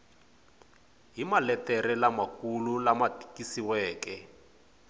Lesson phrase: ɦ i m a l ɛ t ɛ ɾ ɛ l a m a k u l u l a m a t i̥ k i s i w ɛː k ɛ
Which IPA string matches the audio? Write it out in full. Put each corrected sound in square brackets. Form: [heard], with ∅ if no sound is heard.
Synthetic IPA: ɦ i m a l ɛ t ɛ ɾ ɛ l a m a k u l u l a m a t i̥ k i s i w ɛː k ɛ

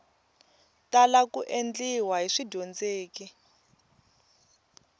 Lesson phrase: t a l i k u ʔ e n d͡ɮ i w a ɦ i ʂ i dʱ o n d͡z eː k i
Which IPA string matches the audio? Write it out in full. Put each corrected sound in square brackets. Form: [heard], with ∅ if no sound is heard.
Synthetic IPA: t a l [a] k u ʔ e n d͡ɮ i w a ɦ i ʂ i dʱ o n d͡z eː k i

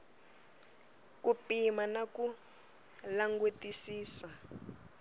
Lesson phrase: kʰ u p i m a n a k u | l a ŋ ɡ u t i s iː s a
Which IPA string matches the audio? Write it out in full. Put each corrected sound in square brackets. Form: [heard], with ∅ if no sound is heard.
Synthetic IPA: [k] u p i m a n a k u | l a ŋ ɡ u t i s iː s a

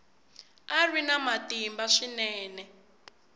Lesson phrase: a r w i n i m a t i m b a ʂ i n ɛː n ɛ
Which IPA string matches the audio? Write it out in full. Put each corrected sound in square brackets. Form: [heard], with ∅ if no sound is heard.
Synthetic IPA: a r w i n [a] m a t i m b a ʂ i n ɛː n ɛ

